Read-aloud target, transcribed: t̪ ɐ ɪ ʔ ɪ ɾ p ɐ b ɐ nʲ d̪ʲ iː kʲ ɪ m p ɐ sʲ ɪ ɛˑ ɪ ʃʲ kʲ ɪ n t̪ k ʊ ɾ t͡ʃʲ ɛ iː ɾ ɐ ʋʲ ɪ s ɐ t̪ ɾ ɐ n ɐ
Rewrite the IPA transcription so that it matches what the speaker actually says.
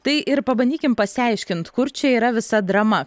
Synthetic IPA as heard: t̪ ɐ ɪ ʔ ɪ ɾ p ɐ b ɐ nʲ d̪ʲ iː kʲ ɪ m p ɐ sʲ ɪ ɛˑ ɪ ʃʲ kʲ ɪ n t̪ k ʊ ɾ t͡ʃʲ ɛ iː ɾ ɐ ʋʲ ɪ s ɐ d̪ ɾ ɐ m ɐ